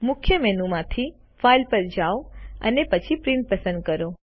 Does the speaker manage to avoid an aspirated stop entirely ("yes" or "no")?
no